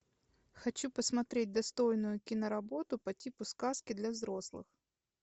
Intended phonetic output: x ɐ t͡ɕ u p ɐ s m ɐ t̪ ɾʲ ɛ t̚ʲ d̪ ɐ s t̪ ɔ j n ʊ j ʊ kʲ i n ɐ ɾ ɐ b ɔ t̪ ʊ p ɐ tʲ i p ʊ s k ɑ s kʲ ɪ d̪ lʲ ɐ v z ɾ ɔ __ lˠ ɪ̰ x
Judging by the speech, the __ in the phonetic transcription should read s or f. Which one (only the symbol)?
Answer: s